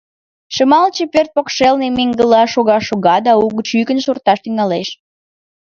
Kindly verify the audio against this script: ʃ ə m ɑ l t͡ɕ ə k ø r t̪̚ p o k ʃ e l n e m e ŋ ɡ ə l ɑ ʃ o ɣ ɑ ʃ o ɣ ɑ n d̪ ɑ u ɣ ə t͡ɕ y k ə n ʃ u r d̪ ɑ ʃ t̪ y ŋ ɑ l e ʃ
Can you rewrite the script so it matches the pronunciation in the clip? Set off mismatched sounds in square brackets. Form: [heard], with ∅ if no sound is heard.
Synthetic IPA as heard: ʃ ə m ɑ l t͡ɕ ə [p] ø r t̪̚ p o k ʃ e l n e m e ŋ ɡ ə l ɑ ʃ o ɣ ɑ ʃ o ɣ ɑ [∅] d̪ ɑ u ɣ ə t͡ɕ y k ə n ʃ u r [t̪] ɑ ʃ t̪ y ŋ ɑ l e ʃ